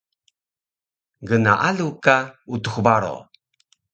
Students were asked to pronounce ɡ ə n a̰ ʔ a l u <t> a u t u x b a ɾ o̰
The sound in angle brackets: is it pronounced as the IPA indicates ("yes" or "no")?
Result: no